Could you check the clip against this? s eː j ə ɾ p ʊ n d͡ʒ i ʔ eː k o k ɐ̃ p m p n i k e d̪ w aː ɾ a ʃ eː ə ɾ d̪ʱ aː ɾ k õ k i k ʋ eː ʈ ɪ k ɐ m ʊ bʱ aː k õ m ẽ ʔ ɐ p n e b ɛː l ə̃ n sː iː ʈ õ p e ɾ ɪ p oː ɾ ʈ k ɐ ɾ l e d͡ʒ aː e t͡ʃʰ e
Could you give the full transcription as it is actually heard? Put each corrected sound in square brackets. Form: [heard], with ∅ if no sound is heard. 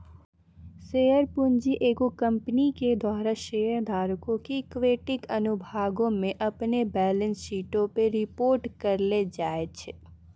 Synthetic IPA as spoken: s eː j ə ɾ p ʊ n d͡ʒ i ʔ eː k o k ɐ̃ [∅] m p n i k e d̪ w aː ɾ a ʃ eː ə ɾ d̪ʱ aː ɾ k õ k i k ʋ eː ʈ ɪ k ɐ [n] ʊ bʱ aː [ɡ] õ m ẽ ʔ ɐ p n e b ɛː l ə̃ n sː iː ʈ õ p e ɾ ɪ p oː ɾ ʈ k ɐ ɾ l e d͡ʒ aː e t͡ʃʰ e